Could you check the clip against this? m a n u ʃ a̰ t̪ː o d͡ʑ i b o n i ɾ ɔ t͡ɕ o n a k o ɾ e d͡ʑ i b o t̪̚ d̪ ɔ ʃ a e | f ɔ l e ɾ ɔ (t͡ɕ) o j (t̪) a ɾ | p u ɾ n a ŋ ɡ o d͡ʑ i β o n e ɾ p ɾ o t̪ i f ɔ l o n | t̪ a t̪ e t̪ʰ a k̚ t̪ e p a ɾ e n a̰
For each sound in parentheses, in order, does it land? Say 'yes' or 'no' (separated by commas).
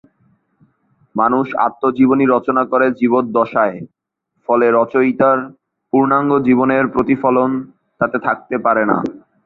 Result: yes, yes